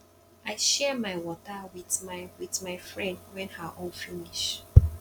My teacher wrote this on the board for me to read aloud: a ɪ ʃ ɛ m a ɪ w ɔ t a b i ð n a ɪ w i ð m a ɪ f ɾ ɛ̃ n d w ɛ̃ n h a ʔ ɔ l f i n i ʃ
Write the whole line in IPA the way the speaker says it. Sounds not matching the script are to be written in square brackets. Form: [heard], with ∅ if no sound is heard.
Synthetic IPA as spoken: a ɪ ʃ ɛ m a ɪ w ɔ t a [w] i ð [m] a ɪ w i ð m a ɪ f [ɹ] ɛ̃ n d w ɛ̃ n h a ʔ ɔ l f i n i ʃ

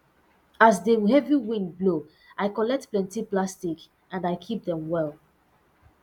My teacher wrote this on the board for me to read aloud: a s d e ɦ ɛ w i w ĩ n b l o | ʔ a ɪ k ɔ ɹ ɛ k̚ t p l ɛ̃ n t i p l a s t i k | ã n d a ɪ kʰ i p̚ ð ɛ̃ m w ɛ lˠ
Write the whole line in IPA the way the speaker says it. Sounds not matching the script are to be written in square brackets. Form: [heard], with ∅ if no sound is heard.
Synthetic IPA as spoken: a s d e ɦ ɛ [v] i w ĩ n b l o | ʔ a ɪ k ɔ [l] ɛ k̚ t p l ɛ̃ n t i p l a s t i k | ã n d a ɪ kʰ i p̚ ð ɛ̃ m w ɛ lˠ

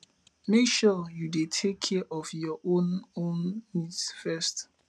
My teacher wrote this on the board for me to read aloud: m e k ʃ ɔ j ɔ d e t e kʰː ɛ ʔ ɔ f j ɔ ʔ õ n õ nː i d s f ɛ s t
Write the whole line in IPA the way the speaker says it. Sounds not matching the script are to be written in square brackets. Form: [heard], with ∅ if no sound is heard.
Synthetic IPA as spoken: m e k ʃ ɔ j [u] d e [tʰ] e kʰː ɛ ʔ ɔ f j ɔ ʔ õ n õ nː i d s f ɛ s t

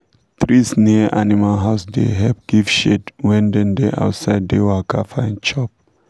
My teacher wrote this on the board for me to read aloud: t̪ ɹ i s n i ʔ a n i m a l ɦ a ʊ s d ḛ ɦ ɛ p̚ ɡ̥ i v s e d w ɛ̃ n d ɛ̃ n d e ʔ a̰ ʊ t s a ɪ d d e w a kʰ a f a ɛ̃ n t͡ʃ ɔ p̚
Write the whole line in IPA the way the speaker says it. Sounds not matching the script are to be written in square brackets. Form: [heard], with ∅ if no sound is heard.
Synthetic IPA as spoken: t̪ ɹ i s n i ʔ a n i m a l ɦ a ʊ s d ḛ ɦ ɛ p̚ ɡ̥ i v [ʃ] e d w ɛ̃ n d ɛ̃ n d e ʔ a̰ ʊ t s a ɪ d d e w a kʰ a f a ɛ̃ n t͡ʃ ɔ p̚

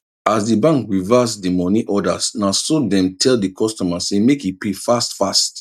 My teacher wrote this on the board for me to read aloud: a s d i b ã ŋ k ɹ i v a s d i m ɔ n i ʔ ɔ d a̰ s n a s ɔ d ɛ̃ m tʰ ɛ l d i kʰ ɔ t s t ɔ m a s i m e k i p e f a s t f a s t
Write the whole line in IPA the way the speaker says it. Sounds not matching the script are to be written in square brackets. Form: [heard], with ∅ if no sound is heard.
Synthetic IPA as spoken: a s d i b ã ŋ k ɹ i v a s d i m ɔ n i ʔ ɔ d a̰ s n a s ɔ d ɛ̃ m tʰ ɛ l d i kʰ ɔ [∅] s t ɔ m a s [e] m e k i p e f a s t f a s t

